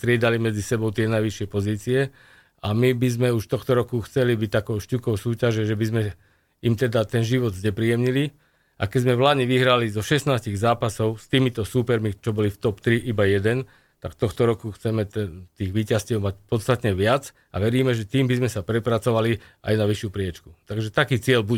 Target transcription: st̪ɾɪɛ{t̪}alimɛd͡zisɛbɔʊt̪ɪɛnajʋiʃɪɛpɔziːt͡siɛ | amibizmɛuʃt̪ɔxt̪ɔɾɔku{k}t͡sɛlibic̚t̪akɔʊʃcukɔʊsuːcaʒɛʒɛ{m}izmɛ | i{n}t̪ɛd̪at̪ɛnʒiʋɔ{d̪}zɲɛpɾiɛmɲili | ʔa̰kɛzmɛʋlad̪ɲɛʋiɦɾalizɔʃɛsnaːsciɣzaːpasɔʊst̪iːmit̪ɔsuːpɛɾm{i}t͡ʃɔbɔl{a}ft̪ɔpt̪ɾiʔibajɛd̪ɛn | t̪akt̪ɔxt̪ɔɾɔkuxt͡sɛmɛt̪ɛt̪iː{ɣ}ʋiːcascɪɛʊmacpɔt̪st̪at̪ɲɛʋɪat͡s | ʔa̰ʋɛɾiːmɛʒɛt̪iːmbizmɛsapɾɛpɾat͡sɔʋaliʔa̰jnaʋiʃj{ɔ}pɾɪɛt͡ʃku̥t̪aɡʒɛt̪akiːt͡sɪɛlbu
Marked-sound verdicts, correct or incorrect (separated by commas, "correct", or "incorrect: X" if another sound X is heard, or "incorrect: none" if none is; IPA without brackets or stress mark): incorrect: d̪, incorrect: x, incorrect: b, incorrect: m, correct, correct, incorrect: i, correct, incorrect: u